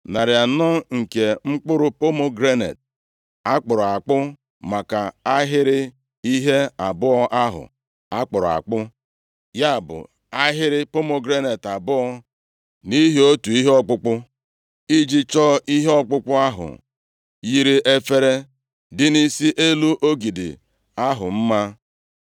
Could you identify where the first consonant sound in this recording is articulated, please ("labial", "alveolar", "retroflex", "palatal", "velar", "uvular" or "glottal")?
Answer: alveolar